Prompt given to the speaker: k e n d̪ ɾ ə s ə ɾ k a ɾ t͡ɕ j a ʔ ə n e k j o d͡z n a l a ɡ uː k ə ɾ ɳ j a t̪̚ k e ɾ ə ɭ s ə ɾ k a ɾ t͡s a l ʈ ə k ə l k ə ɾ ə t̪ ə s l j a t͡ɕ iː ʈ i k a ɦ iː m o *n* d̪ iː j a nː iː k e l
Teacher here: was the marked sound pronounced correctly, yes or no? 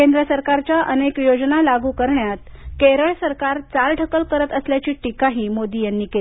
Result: no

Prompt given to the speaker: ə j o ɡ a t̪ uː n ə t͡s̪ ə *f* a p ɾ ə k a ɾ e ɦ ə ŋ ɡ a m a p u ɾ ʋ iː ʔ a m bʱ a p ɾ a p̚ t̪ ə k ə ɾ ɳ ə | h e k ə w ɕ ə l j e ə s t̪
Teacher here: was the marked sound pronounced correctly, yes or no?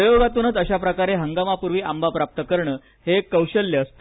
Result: no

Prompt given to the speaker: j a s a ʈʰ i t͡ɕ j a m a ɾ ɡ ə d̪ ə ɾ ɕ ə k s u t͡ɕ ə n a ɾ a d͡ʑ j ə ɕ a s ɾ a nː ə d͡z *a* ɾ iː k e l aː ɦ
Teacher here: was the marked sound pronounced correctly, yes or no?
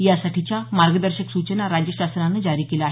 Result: yes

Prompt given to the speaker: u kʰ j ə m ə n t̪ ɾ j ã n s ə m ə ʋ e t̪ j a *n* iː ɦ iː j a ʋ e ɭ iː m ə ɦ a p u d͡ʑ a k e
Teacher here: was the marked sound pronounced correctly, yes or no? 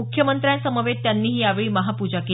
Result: no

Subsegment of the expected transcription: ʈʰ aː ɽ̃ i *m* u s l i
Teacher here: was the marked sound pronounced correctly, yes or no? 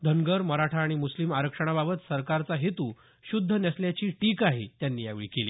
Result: yes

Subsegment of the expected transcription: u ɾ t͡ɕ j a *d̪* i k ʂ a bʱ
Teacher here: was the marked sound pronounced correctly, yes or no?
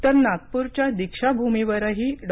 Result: yes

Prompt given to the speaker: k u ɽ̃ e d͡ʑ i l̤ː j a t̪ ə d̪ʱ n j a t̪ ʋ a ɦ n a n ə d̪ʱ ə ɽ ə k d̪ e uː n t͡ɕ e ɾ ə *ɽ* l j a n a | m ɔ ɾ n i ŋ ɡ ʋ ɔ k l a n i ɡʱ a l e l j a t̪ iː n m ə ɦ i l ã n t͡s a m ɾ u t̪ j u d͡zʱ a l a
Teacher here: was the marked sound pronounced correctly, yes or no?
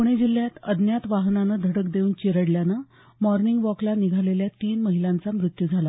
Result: yes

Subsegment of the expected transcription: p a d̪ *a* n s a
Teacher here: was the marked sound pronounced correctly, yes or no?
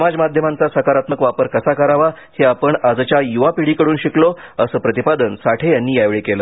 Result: no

